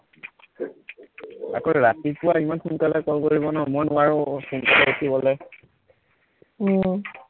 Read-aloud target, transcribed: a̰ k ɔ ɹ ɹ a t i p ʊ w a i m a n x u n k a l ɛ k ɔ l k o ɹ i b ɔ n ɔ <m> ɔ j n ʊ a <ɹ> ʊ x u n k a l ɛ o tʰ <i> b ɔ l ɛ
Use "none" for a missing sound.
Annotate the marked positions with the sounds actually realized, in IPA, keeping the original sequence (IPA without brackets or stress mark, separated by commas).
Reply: m, ɹ, i